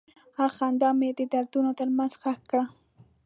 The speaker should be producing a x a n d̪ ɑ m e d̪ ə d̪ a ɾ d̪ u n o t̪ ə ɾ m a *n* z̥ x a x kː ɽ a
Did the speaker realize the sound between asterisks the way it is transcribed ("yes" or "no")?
yes